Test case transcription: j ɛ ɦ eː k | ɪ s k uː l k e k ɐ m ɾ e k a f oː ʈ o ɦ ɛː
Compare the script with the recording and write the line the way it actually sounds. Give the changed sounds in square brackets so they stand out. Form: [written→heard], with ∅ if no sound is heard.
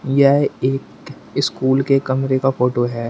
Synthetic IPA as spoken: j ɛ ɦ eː k | ɪ s k uː l k e k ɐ m ɾ e k a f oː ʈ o ɦ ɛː